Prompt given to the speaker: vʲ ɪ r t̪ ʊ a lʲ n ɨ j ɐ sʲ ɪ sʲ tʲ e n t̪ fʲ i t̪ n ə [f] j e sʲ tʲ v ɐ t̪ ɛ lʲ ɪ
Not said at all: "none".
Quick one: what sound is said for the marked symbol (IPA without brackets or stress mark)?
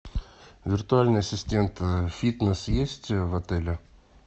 s